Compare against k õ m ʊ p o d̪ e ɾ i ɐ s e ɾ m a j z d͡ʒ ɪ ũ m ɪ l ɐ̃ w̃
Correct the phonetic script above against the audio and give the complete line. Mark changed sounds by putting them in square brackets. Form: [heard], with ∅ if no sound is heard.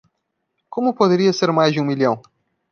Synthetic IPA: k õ m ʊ p o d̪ e ɾ i ɐ s e ɾ m a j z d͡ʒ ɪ ũ m [i] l ɐ̃ w̃